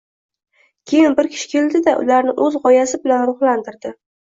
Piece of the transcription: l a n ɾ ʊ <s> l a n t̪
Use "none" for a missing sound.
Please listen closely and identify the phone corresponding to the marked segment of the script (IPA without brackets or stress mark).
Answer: χ